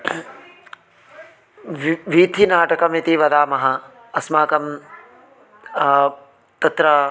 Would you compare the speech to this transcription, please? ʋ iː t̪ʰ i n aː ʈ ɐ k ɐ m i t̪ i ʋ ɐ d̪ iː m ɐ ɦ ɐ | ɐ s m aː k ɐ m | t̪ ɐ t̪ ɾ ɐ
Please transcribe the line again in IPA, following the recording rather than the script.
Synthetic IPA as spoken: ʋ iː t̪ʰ i n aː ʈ ɐ k ɐ m i t̪ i ʋ ɐ d̪ aː m ɐ ɦ ɐ | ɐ s m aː k ɐ m | t̪ ɐ t̪ ɾ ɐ